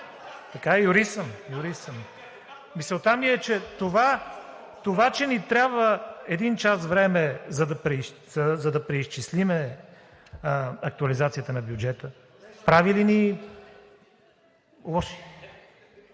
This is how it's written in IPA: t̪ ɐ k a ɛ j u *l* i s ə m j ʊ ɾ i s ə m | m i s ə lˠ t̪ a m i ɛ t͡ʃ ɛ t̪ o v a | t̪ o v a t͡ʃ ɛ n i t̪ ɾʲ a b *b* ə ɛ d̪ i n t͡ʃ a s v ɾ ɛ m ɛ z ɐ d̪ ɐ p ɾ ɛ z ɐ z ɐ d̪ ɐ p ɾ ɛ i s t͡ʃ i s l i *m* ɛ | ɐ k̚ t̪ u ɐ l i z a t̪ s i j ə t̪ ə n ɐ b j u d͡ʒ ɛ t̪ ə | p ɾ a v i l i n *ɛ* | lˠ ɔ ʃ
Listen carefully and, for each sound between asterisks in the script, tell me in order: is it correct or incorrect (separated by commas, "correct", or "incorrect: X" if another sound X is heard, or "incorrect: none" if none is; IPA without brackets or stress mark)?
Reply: incorrect: ɾ, incorrect: v, correct, incorrect: i